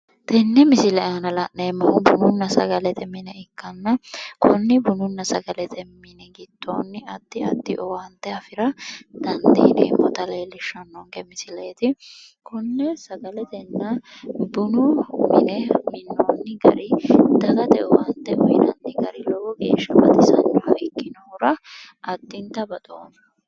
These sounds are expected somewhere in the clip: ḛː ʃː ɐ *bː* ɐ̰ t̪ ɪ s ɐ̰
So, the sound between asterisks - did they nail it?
no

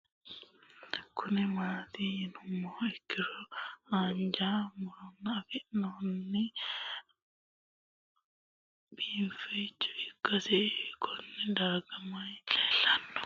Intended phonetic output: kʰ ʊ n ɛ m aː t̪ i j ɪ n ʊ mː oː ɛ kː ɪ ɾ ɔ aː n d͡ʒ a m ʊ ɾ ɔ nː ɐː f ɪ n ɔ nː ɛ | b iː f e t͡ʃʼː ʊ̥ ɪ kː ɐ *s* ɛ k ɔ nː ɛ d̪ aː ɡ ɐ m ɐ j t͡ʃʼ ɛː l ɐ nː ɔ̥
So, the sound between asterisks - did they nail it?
yes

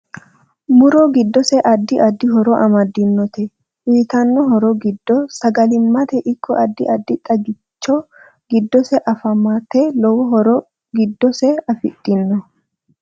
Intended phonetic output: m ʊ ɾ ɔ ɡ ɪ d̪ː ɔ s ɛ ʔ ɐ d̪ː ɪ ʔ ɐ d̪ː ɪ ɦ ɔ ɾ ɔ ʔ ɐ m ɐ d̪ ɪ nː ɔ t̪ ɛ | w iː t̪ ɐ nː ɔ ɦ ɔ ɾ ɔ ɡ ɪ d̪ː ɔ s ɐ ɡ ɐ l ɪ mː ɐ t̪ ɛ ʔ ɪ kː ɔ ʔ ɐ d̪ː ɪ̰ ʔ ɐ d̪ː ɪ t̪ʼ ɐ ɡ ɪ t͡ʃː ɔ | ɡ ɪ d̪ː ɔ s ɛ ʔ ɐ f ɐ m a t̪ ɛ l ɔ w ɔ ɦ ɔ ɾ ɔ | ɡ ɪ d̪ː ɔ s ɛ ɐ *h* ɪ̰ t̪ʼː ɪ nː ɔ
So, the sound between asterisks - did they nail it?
no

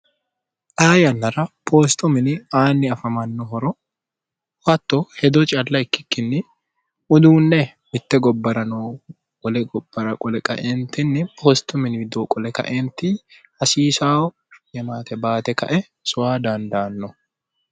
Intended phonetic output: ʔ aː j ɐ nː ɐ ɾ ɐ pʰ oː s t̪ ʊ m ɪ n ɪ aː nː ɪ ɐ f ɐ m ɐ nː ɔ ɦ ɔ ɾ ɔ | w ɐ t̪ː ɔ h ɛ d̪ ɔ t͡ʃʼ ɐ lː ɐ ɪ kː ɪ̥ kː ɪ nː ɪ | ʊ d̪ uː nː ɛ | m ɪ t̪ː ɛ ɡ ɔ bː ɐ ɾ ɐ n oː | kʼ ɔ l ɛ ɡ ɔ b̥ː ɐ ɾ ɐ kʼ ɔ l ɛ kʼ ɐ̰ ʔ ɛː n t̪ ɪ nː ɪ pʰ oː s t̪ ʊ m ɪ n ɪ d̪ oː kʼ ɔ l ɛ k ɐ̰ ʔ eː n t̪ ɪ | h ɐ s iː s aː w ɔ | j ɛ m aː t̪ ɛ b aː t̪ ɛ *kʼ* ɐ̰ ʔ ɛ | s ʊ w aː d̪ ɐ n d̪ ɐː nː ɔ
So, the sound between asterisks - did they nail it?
no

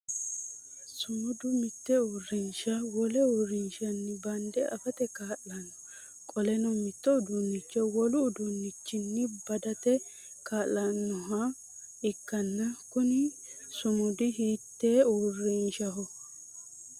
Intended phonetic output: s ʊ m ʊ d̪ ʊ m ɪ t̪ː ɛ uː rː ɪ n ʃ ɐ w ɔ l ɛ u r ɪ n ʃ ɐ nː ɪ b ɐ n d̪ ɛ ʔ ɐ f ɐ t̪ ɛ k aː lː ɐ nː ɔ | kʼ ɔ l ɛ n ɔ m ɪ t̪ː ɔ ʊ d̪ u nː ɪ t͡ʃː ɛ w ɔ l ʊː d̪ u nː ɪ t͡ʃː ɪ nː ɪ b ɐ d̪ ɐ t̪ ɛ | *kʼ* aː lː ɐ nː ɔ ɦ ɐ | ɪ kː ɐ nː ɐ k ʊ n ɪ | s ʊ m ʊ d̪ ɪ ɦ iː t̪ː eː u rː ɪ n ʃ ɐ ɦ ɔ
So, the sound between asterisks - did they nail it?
no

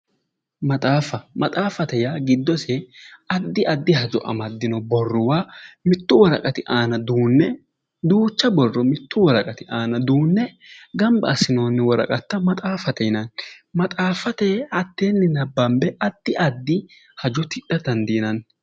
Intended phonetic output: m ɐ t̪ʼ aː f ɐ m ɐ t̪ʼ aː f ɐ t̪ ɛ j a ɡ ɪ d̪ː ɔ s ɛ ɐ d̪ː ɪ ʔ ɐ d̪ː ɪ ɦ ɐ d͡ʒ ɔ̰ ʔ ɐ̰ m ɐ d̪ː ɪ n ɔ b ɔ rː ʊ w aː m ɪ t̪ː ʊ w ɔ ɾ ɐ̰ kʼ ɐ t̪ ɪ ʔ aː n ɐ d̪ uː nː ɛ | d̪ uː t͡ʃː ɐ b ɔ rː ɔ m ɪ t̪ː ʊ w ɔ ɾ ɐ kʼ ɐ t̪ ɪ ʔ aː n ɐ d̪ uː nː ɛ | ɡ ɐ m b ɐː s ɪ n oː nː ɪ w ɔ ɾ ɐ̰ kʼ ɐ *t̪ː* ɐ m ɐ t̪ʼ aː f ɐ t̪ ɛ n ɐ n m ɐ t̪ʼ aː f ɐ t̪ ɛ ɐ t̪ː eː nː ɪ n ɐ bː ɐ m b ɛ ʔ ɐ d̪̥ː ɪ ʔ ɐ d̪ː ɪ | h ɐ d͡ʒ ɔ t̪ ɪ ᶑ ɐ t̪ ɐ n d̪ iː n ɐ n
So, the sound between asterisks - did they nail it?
yes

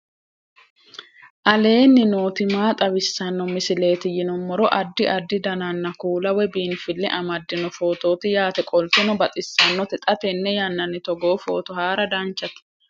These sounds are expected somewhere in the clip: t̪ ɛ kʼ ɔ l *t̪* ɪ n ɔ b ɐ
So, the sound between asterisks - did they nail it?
yes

